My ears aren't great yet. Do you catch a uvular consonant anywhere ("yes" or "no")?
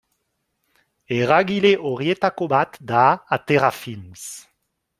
yes